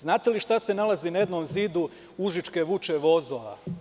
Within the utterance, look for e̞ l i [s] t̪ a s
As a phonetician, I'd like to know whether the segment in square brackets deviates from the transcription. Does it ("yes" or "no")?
yes